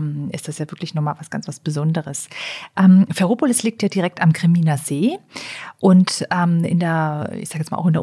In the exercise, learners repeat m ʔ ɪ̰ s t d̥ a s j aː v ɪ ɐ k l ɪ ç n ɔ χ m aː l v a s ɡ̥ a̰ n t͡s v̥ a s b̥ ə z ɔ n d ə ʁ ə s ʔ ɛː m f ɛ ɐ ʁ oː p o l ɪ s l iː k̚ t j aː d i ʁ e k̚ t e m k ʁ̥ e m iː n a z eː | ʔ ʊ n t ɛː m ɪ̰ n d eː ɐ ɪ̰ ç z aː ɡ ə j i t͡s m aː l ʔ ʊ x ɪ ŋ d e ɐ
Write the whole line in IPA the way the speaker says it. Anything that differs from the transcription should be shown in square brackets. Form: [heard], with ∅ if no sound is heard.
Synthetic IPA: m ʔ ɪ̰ s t d̥ a s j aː v ɪ ɐ k l ɪ ç n ɔ χ m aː l v a s ɡ̥ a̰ n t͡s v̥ a s b̥ ə z ɔ n d ə ʁ ə s ʔ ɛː m f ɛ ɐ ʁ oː p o l ɪ s l iː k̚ t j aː d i ʁ [ɛ] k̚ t [a] m k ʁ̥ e m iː n a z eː | ʔ ʊ n t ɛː m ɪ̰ n d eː ɐ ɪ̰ ç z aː ɡ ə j [ɛ] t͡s m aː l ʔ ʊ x ɪ [n] d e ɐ